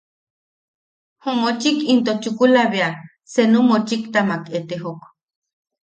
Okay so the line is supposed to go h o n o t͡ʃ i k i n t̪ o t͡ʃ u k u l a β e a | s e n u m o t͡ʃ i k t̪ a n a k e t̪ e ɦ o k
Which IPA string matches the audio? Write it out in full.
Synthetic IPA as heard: h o m o t͡ʃ i k i n t̪ o t͡ʃ u k u l a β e a | s e n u m o t͡ʃ i k t̪ a m a k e t̪ e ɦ o k

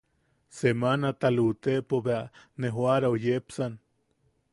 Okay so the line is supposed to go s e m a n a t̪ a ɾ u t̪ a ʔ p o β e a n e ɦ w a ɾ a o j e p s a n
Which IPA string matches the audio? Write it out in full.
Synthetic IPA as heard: s e m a n a t̪ a l u t̪ e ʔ p o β e a n e ɦ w a ɾ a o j e p s a n

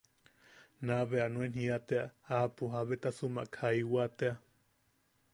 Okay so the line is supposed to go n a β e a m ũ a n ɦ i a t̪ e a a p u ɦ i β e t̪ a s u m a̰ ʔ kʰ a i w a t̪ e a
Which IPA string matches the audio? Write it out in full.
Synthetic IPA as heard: n a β e a n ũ e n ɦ i a t̪ e a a p u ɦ a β e t̪ a s u m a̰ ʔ kʰ a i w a t̪ e a

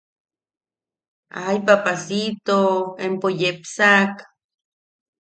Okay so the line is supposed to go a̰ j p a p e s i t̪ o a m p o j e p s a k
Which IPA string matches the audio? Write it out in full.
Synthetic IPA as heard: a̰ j p a p a s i t̪ o e m p o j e p s a k

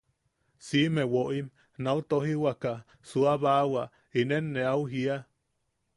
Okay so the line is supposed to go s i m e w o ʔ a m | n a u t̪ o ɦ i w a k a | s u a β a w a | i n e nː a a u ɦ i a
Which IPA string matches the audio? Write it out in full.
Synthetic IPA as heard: s i m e w o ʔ i m | n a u t̪ o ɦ i w a k a | s u a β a w a | i n e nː e a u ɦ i a

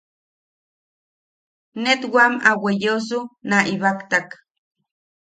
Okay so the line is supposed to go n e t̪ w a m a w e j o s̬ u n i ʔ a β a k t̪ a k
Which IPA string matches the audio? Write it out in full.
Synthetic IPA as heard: n e t̪ w a m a w e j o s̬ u n a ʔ i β a k t̪ a k

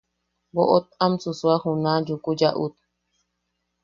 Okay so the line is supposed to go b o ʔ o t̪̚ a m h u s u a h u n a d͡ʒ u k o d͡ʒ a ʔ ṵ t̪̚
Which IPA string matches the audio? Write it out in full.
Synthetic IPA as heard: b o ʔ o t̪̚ a m s u s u a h u n a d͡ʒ u k u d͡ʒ a ʔ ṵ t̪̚

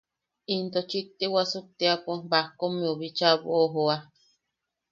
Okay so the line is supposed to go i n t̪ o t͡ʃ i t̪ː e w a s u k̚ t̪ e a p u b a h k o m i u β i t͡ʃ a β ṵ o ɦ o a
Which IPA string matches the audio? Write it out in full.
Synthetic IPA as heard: i n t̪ o t͡ʃ i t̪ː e w a s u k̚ t̪ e a p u b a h k o m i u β i t͡ʃ a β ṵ o ɦ o a

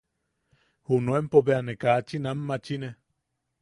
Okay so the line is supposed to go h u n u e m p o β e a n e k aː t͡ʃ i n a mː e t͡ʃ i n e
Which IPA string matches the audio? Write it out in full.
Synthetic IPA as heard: h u n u e m p o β e a n e k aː t͡ʃ i n a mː a t͡ʃ i n e

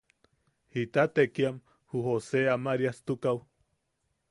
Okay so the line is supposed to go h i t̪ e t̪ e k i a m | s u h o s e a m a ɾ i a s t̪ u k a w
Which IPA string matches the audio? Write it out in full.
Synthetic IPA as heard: h i t̪ a t̪ e k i a m | h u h o s e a m a ɾ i a s t̪ u k a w

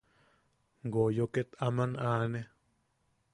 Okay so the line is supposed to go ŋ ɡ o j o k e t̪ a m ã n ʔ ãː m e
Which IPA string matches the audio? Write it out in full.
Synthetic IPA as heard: ŋ ɡ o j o k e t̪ a m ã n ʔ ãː n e

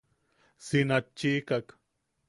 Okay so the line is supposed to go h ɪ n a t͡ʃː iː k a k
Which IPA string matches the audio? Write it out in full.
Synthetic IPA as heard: s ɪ n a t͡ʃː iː k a k

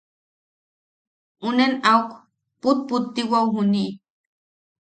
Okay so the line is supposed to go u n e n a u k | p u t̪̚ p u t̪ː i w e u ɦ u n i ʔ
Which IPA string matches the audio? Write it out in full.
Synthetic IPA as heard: u n e n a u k | p u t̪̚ p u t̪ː i w a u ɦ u n i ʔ

